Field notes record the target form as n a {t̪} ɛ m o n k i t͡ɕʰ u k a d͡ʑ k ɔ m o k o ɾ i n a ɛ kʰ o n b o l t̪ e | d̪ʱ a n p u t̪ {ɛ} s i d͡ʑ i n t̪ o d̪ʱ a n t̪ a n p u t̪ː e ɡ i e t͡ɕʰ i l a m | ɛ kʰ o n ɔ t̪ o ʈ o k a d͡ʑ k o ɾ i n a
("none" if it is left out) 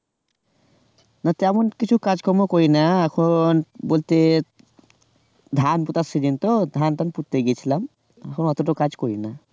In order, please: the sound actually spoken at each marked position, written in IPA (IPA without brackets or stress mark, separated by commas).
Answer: t̪, a